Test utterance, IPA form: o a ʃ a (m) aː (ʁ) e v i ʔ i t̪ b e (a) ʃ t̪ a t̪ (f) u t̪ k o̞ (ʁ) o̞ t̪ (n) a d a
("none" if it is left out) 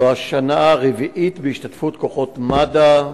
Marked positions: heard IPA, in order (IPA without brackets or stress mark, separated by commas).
n, ʁ, i, f, χ, m